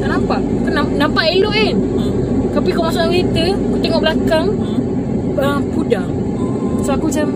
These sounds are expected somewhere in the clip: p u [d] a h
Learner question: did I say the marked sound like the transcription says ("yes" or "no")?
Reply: yes